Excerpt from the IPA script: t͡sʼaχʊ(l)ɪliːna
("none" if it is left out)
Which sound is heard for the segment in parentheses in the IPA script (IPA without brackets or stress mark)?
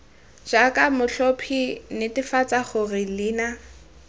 r